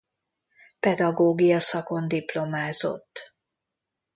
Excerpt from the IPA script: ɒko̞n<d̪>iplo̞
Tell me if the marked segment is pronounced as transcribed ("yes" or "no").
yes